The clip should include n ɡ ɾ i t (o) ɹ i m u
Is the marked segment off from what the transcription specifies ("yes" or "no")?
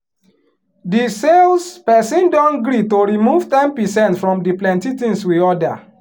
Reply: no